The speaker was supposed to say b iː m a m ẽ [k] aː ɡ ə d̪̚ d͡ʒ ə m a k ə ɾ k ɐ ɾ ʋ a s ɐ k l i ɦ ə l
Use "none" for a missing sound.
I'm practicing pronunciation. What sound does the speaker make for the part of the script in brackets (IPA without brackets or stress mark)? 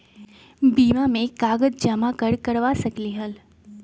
k